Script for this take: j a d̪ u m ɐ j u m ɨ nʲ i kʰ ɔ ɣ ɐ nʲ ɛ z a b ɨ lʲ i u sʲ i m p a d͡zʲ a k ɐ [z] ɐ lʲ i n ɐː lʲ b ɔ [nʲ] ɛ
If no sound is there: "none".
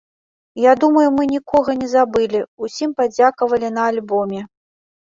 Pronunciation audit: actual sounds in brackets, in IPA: v, mʲ

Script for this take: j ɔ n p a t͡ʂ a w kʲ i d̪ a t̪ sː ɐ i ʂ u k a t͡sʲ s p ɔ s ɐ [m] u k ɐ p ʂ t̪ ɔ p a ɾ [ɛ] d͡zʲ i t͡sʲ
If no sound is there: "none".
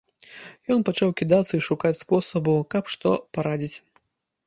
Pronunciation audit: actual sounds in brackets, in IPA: b, a

